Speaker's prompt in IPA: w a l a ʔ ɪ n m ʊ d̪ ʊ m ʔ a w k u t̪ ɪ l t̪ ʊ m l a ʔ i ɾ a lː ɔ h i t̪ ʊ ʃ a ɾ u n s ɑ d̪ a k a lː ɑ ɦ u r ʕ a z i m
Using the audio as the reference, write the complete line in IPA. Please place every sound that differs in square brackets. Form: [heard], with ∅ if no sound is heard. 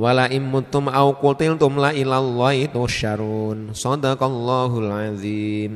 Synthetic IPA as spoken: w a l a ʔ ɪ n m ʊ [t̪] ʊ m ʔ a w k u t̪ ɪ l t̪ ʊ m l a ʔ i [l] a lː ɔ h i t̪ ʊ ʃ a ɾ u n s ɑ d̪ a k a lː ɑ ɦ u [l] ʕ a z i m